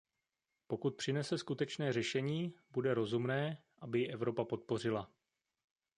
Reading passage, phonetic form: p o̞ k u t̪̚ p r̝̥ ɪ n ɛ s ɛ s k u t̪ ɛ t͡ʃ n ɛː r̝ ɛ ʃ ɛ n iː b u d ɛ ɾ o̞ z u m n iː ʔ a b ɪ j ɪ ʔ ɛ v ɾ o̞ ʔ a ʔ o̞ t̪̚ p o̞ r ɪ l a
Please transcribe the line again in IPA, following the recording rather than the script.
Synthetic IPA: p o̞ k u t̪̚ p r̝̥ ɪ n ɛ s ɛ s k u t̪ ɛ t͡ʃ n ɛː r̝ ɛ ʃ ɛ ɲ iː b u d ɛ ɾ o̞ z u m n ɛː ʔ a b ɪ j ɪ ʔ ɛ v ɾ o̞ p a p o̞ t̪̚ p o̞ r ɪ l a